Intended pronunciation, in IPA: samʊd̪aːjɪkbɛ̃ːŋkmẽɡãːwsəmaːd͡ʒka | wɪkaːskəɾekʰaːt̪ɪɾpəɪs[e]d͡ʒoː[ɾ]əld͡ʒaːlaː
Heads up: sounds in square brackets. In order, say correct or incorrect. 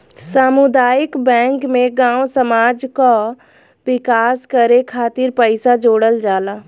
incorrect: a, incorrect: ɽ

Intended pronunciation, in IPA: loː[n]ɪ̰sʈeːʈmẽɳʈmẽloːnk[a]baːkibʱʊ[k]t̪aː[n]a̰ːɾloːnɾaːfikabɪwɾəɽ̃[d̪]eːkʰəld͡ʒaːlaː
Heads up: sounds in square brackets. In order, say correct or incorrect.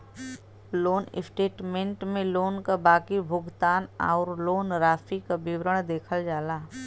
correct, correct, incorrect: ɡ, correct, correct

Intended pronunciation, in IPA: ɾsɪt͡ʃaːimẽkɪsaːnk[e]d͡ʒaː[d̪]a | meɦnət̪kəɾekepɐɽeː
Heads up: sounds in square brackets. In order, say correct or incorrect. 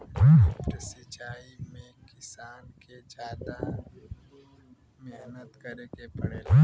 correct, correct

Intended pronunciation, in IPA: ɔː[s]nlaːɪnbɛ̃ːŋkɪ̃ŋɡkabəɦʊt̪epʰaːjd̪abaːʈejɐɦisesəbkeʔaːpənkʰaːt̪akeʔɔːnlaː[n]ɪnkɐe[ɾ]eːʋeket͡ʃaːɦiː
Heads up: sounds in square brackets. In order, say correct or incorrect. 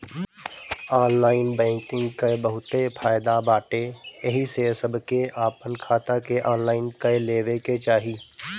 incorrect: none, incorrect: none, incorrect: l

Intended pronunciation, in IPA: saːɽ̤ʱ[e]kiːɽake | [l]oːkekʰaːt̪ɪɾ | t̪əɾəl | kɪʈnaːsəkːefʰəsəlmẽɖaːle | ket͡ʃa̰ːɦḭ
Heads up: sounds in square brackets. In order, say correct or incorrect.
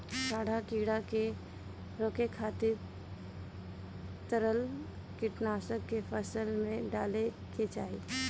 incorrect: a, incorrect: ɾ

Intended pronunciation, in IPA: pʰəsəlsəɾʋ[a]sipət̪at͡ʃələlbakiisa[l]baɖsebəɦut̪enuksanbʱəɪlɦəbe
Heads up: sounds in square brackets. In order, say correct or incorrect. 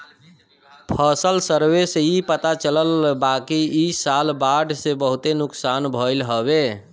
incorrect: e, correct

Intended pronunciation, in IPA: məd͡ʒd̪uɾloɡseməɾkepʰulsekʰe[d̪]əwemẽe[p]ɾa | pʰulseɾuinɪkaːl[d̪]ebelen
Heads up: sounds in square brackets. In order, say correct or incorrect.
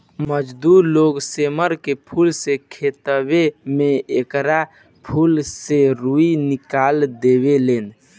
incorrect: t̪, incorrect: k, correct

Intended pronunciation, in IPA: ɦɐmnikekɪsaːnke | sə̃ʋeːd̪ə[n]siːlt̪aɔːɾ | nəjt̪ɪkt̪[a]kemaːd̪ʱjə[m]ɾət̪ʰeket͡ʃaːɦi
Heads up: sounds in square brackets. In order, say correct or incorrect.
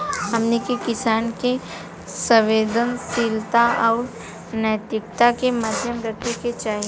correct, correct, correct

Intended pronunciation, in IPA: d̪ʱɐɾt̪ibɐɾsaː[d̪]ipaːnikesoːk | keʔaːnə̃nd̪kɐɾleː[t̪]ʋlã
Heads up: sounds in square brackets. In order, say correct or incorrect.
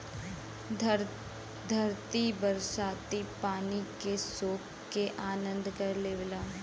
incorrect: t̪, incorrect: none

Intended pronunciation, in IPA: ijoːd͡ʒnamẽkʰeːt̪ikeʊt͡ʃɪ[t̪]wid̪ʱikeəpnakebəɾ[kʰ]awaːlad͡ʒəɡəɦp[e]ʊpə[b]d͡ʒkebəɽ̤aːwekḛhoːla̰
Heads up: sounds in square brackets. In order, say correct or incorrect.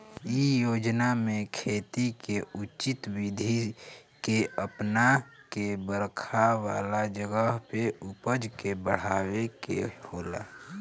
correct, correct, correct, incorrect: none

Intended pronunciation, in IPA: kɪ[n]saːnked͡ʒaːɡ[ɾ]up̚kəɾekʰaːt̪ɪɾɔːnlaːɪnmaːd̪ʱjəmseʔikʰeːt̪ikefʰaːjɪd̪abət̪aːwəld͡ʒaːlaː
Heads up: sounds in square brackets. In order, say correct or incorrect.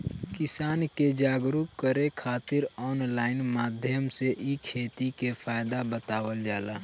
incorrect: none, correct

